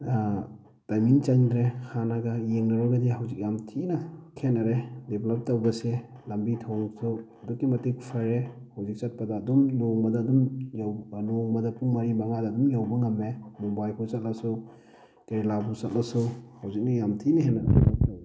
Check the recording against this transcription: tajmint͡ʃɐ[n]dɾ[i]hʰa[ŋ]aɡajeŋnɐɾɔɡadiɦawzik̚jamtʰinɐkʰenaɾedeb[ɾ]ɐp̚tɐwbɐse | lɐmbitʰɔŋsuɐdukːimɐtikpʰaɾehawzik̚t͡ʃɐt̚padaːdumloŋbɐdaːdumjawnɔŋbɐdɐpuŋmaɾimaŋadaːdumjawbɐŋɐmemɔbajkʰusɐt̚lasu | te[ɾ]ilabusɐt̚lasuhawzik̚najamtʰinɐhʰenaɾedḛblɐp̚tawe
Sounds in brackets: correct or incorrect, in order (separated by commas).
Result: incorrect, incorrect, incorrect, incorrect, correct